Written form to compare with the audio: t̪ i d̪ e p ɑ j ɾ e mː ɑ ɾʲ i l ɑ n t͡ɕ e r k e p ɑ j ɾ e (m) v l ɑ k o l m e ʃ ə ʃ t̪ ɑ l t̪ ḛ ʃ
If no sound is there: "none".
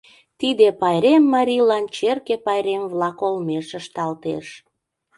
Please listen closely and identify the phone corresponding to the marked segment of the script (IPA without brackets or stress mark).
m